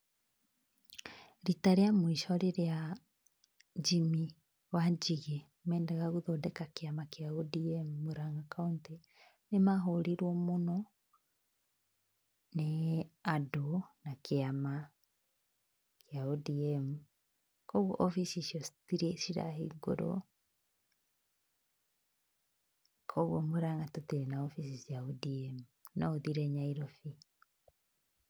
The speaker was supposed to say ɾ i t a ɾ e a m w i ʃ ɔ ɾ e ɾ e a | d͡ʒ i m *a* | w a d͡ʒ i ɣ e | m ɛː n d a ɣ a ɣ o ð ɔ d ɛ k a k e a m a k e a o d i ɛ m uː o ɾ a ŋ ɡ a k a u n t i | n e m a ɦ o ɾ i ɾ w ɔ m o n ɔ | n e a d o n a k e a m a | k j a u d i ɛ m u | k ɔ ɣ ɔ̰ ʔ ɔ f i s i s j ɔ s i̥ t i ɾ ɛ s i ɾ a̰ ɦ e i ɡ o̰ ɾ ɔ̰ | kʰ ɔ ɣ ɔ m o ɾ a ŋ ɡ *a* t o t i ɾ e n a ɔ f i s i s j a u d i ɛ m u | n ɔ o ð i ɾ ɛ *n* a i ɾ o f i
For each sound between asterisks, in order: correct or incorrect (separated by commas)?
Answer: incorrect, correct, incorrect